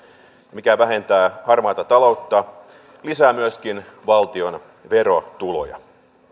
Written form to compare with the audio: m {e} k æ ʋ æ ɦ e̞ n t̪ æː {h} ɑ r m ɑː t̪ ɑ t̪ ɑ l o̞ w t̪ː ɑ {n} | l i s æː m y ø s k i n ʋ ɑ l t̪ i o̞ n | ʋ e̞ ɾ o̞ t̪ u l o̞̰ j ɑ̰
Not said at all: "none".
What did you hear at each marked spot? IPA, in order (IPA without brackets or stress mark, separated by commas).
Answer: i, h, none